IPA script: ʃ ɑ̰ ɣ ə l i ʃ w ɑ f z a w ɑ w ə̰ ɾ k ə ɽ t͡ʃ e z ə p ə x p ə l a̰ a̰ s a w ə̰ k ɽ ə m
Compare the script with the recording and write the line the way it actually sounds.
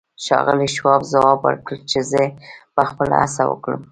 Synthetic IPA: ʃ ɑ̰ ɣ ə l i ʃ w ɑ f z a w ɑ b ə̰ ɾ k ə l t͡ʃ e z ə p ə x p ə l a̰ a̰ s a w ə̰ k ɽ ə m